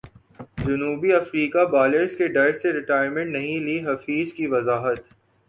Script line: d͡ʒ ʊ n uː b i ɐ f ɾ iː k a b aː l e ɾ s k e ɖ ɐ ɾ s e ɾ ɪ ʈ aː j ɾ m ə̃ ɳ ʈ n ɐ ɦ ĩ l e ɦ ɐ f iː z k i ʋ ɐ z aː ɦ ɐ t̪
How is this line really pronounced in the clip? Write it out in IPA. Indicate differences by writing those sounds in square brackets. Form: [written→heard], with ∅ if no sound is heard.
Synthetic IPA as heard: d͡ʒ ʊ n uː b i ɐ f ɾ iː k a b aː l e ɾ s k e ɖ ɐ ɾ s e ɾ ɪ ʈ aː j ɾ m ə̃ ɳ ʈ n ɐ ɦ ĩ l [e→i] ɦ ɐ f iː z k i ʋ ɐ z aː ɦ [ɐ→ə] t̪